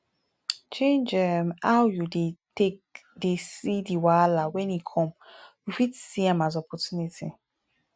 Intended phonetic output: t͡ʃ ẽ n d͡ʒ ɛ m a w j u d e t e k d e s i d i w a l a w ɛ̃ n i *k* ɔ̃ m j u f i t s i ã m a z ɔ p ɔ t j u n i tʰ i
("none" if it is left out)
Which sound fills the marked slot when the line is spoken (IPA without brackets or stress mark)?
kʰ